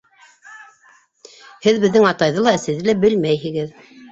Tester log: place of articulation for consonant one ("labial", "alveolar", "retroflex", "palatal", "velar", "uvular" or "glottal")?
glottal